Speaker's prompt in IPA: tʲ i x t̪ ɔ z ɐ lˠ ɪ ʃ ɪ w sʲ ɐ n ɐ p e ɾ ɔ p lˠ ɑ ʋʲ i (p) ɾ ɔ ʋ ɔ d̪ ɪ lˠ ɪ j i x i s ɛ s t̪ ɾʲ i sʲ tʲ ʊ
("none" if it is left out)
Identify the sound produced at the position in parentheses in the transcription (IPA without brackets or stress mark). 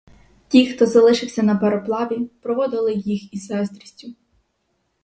p